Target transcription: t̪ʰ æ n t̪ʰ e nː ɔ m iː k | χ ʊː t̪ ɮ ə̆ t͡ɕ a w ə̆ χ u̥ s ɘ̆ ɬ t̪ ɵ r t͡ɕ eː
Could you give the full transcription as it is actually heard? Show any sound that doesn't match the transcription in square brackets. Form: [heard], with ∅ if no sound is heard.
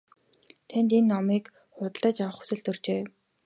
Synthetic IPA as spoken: t̪ʰ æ n [t̪] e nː ɔ m iː k | χ [ʊ] t̪ ɮ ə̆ t͡ɕ a w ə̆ χ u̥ s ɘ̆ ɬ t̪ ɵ r t͡ɕ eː